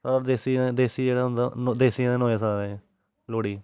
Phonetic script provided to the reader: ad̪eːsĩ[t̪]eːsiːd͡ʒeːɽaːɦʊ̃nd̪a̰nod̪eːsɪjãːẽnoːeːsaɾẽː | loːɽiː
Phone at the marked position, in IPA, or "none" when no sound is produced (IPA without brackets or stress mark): d̪